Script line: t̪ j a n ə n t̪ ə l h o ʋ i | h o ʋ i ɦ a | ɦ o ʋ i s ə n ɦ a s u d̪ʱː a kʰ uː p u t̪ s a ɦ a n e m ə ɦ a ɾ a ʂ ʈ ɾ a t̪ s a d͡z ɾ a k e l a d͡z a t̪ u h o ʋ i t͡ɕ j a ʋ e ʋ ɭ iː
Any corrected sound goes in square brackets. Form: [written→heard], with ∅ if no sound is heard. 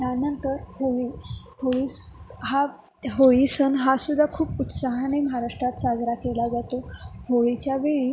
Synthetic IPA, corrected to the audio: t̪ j a n ə n t̪ ə [l→ɾ] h o ʋ i | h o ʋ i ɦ a | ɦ o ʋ i s ə n ɦ a s u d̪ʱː a kʰ uː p u t̪ s a ɦ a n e m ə ɦ a ɾ a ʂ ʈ ɾ a t̪ s a d͡z ɾ a k e l a d͡z a t̪ [u→o] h o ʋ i t͡ɕ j a ʋ e [ʋ→∅] ɭ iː